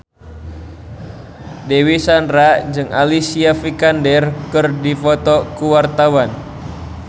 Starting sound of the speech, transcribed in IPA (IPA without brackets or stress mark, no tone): d